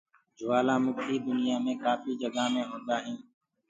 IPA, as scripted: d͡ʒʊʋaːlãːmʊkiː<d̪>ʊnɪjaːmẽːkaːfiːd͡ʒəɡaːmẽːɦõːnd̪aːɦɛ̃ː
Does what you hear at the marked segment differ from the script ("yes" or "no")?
no